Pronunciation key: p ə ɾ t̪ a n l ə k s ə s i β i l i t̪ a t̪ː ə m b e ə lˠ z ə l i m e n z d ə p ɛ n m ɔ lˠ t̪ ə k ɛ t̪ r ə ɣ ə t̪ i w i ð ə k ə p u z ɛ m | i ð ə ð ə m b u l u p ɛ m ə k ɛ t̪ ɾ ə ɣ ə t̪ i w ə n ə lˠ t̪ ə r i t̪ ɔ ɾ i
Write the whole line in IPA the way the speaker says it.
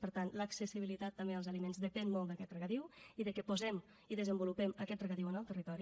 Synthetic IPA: p ə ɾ t̪ a n l ə k s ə s i β i l i t̪ a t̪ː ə m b e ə lˠ z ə l i m e n z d ə p ɛ n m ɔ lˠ d̪ ə k ɛ t̪ r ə ɣ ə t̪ i w i ð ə k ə p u z ɛ m | i ð ə z ə m b u l u p ɛ m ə k ɛ t̪ r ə ɣ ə t̪ i w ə n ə lˠ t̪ ə r i t̪ ɔ ɾ i